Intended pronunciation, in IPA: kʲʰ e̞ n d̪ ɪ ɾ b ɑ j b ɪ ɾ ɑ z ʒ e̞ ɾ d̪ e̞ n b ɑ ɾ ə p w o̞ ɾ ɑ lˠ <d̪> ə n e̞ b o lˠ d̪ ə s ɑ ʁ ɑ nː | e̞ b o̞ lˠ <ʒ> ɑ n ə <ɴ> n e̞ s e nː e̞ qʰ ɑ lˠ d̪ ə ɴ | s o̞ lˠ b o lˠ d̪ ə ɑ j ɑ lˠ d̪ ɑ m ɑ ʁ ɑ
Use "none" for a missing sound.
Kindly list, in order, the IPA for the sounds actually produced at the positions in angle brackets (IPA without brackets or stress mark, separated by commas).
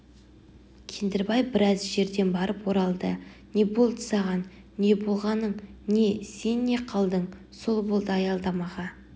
d̪, ʁ, ɴ